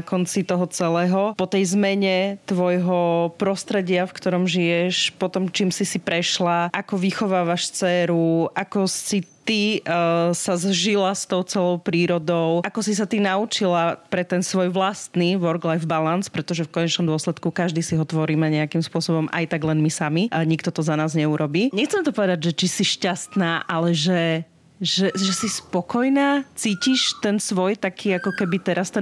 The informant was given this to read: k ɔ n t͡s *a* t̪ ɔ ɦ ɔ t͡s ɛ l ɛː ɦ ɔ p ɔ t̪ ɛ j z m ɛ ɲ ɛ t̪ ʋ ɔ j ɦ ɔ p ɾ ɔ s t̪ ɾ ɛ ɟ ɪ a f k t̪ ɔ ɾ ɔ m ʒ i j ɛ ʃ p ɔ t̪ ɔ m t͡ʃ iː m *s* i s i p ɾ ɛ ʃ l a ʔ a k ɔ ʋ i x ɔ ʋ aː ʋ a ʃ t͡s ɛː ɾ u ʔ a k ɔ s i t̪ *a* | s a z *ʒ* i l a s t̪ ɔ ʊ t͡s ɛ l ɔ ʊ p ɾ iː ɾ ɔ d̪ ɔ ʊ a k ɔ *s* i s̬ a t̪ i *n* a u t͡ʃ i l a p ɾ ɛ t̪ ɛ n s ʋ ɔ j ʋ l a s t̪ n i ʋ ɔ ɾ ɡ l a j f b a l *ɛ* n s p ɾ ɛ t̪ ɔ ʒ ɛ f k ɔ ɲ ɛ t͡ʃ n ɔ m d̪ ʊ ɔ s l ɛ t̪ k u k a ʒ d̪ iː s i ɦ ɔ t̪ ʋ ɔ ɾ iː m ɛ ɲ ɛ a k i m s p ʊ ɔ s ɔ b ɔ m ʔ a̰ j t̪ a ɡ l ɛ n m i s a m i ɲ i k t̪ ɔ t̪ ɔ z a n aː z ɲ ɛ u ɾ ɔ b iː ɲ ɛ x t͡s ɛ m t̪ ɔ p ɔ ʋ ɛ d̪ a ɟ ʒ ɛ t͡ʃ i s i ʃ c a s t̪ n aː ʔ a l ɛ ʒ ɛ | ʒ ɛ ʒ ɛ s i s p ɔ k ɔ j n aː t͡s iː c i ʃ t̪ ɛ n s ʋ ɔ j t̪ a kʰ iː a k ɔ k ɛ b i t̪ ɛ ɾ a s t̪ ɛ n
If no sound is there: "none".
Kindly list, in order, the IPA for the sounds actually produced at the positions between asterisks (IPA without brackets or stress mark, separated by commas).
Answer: i, s, i, ʒ, s, n, a